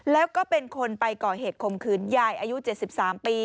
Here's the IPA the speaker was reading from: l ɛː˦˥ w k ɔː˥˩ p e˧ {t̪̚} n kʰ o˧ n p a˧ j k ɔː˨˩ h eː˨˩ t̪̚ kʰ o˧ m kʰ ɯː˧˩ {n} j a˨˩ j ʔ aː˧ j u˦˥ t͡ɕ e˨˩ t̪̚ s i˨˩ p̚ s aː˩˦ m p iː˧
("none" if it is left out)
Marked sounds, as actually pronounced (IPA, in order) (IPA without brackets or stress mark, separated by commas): none, n